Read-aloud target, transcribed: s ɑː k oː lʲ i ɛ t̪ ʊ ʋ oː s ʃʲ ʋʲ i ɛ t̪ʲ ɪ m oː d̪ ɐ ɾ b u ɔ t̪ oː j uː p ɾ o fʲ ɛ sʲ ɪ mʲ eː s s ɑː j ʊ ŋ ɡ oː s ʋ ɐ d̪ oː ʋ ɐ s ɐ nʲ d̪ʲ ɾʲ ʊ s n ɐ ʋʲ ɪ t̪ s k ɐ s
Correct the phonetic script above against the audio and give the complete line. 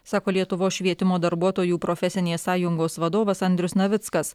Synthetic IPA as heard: s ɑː k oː lʲ i ɛ t̪ ʊ ʋ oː s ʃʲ ʋʲ i ɛ t̪ʲ ɪ m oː d̪ ɐ ɾ b u ɔ t̪ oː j uː p ɾ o fʲ ɛ sʲ ɪ nʲ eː s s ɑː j ʊ ŋ ɡ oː s ʋ ɐ d̪ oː ʋ ɐ s ɐ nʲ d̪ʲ ɾʲ ʊ s n ɐ ʋʲ ɪ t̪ s k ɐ s